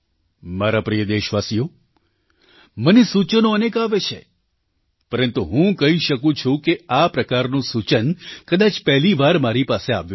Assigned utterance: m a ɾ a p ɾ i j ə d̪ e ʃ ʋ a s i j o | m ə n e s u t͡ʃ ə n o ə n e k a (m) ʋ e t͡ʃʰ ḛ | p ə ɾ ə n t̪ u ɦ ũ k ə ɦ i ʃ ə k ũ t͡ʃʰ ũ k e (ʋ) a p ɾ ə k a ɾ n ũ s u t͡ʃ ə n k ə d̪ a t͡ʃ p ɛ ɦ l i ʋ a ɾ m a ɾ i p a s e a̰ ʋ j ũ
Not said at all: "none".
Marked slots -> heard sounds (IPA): none, none

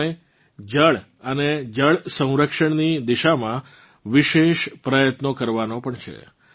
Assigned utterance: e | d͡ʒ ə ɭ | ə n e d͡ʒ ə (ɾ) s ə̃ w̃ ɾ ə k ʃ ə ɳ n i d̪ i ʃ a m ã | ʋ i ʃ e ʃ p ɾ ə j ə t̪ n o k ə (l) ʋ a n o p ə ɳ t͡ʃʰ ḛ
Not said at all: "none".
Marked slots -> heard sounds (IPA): ɭ, ɾ

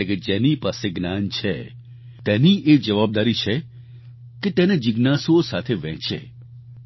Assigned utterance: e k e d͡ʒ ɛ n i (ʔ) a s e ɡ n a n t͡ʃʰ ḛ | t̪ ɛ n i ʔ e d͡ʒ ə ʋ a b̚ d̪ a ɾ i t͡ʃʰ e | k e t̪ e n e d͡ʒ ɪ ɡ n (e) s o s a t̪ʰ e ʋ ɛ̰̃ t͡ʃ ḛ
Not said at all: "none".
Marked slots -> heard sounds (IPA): p, a

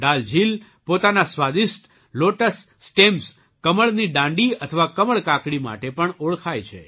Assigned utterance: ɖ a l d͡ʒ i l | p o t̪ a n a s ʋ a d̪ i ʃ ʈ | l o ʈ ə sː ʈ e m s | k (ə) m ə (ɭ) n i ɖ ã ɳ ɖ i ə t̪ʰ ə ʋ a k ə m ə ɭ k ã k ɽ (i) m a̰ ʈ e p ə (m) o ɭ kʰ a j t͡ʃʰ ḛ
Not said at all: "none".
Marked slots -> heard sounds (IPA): ə, ɭ, i, ɳ

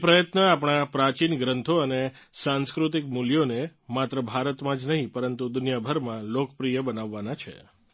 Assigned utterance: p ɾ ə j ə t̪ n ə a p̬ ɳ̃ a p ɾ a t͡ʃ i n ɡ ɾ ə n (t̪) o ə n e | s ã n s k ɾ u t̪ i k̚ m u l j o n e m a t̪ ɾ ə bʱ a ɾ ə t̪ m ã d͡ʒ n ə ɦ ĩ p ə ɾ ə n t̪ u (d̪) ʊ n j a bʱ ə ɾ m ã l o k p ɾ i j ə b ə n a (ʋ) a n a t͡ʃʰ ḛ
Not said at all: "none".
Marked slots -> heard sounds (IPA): t̪ʰ, d̪, ʋː

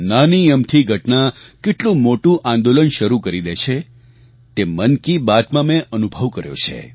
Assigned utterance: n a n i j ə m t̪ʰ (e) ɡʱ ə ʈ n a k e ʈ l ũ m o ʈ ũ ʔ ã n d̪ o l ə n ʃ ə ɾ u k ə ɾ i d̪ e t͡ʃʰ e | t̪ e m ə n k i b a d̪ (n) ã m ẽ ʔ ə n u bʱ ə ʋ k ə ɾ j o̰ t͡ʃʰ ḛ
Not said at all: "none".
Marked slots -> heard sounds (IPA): i, m

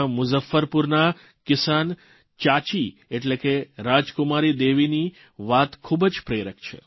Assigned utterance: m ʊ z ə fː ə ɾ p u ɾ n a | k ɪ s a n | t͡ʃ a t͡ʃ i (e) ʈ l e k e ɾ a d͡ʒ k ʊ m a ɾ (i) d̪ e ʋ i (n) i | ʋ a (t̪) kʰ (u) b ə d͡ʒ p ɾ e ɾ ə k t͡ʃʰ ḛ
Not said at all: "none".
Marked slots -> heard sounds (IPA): e, i, n, t̪, u

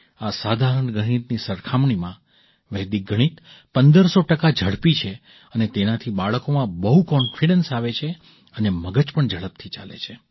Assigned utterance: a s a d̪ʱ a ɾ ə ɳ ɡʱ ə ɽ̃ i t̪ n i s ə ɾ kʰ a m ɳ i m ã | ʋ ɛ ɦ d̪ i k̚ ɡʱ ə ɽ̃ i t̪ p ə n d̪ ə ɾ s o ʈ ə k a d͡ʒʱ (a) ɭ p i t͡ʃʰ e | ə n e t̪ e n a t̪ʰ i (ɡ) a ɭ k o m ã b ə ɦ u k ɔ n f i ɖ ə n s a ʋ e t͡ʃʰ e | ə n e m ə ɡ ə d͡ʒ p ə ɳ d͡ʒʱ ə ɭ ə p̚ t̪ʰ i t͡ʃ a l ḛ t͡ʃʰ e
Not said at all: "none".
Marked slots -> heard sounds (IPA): ə, b

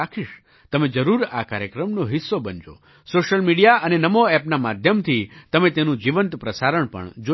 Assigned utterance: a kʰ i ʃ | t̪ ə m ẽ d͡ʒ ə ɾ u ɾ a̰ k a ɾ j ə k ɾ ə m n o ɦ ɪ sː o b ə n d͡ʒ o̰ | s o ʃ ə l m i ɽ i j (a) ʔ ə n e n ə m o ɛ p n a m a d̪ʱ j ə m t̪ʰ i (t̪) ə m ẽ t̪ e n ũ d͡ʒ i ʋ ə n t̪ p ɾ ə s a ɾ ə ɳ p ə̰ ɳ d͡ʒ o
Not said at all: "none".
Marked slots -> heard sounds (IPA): a, t̪

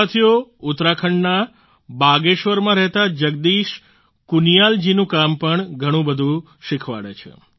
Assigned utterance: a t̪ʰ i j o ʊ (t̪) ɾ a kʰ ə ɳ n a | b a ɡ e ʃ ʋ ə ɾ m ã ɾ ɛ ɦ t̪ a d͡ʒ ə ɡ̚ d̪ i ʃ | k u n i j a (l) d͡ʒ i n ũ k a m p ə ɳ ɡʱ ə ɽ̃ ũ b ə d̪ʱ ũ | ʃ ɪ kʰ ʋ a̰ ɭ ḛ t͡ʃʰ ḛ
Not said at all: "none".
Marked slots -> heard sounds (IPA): t̪, l

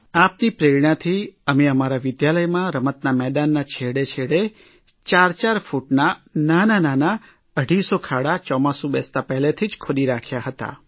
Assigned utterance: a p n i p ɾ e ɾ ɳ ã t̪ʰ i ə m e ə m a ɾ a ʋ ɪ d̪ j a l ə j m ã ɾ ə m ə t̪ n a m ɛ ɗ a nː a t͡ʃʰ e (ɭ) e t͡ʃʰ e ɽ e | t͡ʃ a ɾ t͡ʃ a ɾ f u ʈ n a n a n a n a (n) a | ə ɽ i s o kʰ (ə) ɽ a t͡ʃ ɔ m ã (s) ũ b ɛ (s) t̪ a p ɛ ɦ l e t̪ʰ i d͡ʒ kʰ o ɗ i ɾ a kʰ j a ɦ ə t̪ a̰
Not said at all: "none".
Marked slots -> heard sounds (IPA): ɽ, n, a, s, s

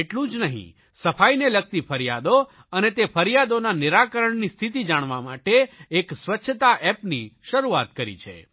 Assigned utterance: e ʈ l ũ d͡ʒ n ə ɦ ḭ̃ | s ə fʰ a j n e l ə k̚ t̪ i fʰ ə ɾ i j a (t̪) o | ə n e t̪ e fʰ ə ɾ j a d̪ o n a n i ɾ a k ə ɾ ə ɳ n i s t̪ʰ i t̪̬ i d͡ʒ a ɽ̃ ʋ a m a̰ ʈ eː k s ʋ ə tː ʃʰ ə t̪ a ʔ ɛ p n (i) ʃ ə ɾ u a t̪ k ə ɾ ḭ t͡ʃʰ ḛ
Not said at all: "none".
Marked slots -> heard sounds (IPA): d̪, i

